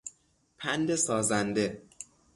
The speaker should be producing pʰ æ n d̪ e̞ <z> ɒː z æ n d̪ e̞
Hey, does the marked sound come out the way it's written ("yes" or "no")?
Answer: no